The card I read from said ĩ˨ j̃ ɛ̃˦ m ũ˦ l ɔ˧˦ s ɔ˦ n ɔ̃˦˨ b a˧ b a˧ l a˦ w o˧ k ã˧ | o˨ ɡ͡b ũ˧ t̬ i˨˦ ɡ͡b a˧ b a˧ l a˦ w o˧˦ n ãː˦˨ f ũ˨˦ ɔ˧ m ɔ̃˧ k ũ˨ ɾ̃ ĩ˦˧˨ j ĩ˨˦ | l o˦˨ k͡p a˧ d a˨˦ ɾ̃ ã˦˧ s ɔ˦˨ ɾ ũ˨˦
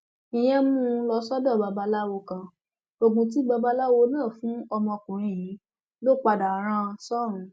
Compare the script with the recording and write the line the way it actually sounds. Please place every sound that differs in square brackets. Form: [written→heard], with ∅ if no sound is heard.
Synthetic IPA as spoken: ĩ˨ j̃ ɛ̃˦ m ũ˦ l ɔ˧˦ s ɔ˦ [n→d] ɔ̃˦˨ b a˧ b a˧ l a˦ w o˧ k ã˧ | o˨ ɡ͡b ũ˧ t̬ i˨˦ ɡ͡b a˧ b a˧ l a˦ w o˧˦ n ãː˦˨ f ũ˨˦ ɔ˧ m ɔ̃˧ k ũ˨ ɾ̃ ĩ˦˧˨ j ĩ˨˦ | l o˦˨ k͡p a˧ d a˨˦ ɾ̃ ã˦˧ s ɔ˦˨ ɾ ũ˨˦